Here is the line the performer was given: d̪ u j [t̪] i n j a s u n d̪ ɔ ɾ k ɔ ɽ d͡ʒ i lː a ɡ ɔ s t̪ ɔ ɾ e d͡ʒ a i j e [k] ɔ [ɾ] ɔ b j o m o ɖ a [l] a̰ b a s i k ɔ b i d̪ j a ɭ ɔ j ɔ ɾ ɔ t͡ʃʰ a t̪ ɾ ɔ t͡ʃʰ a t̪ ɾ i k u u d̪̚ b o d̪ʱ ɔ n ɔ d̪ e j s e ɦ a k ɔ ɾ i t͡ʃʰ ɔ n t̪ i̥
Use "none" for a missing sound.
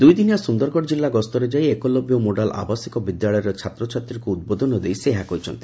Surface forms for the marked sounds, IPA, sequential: d̪, k, l, l

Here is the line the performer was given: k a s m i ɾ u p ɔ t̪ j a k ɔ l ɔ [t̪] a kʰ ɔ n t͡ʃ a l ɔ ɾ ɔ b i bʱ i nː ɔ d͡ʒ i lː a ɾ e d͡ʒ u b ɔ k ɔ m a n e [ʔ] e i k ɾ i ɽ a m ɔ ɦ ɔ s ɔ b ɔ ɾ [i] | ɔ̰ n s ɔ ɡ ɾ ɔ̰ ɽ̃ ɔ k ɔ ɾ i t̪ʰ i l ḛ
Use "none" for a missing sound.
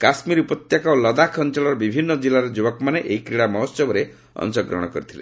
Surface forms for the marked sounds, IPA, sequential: d̪, ʔ, e

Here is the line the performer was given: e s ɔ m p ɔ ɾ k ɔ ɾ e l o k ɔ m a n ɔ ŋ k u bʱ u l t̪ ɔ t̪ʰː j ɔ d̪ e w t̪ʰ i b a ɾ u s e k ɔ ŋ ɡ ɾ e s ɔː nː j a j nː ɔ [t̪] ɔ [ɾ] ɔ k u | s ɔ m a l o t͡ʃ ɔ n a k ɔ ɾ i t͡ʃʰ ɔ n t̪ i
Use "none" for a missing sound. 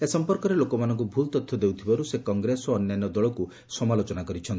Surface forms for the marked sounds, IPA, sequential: d̪, ɭ

